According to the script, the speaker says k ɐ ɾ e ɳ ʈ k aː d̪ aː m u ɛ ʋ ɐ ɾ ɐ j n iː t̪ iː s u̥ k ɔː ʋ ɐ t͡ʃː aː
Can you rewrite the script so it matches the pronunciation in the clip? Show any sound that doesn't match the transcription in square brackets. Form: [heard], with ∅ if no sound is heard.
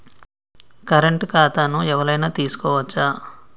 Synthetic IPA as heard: k ɐ ɾ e ɳ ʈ k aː [t̪] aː [n] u ɛ ʋ ɐ ɾ ɐ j n [aː] t̪ iː s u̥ k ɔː ʋ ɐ t͡ʃː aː